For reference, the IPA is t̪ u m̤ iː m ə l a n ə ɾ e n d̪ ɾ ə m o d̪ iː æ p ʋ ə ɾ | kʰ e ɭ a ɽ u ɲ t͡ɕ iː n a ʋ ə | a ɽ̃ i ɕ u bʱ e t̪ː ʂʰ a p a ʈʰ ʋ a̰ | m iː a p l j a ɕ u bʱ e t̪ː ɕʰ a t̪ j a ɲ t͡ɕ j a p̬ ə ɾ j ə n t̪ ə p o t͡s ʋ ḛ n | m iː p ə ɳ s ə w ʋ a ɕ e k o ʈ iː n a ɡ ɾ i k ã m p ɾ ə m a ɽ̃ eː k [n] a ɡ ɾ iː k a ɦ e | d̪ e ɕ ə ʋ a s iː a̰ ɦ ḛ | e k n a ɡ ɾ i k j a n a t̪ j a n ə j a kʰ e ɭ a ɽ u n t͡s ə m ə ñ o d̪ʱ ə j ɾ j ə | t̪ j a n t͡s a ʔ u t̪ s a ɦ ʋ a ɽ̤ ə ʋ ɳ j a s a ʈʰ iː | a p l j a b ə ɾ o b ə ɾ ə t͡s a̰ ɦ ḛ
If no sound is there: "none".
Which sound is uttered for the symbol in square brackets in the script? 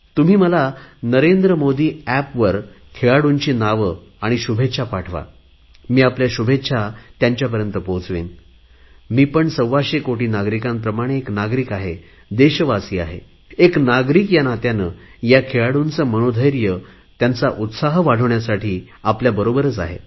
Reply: n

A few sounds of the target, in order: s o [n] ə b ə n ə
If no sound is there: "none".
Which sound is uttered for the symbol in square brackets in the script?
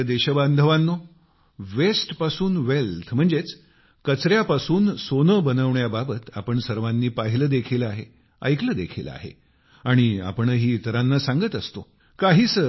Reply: n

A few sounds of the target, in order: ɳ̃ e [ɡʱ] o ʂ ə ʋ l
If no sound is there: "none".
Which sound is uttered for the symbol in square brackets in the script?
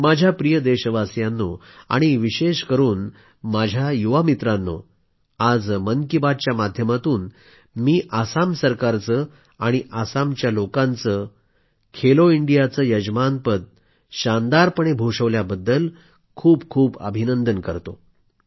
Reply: bʱ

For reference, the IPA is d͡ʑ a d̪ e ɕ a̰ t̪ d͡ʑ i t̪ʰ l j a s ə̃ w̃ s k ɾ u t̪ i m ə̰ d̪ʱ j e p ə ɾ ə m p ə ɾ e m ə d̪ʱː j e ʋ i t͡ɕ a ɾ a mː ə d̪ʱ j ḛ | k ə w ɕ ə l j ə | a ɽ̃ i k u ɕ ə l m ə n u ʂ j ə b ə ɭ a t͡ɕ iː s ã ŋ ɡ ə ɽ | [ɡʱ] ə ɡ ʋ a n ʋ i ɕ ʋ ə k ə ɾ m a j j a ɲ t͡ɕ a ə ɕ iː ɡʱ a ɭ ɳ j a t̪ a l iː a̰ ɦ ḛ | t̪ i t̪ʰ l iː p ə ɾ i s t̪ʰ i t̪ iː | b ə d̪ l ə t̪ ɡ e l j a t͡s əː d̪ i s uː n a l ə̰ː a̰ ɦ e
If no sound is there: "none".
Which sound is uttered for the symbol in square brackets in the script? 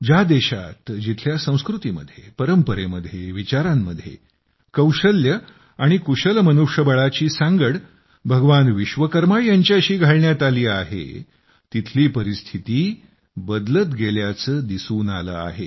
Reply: bʱ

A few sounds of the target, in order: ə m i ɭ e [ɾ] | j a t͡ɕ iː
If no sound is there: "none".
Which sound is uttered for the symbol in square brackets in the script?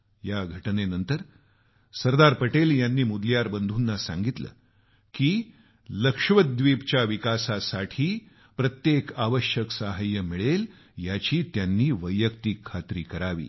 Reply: l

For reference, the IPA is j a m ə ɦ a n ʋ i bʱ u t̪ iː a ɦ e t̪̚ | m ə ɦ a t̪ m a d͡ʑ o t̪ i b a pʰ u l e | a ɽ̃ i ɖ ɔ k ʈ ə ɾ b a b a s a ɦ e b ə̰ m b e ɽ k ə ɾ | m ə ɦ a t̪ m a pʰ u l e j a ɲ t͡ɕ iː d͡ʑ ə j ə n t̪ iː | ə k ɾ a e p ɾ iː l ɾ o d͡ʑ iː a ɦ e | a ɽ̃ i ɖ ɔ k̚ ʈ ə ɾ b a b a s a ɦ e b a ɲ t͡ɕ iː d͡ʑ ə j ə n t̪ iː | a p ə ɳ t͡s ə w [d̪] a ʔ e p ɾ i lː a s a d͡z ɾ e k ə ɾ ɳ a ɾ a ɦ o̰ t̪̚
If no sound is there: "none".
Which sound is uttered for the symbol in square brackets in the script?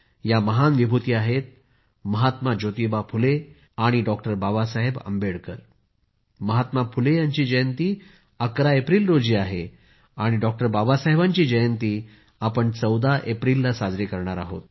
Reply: d̪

